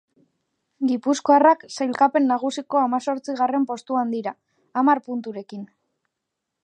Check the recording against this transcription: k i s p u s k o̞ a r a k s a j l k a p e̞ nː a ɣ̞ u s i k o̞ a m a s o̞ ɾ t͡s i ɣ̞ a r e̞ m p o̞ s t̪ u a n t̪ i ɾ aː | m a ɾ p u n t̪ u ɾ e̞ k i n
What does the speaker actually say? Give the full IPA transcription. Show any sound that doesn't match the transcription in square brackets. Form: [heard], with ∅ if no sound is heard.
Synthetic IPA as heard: [ɡ] i [∅] p u s k o̞ a r a k s a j l k a p e̞ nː a ɣ̞ u s i k o̞ a m a s o̞ ɾ t͡s i ɣ̞ a r e̞ m p o̞ s t̪ u a n [d̪] i ɾ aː | m a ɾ p u n t̪ u ɾ e̞ k i n